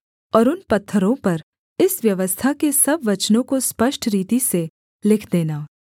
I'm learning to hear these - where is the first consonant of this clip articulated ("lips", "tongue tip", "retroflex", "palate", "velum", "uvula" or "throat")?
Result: tongue tip